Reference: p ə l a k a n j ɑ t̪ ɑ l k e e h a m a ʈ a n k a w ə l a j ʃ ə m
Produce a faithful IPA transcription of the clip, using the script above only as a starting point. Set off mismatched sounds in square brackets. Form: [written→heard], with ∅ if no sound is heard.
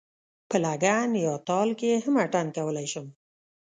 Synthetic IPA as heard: p ə l a [k→ɡ] a n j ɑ t̪ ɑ l k e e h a m a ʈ a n k a w ə l a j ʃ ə m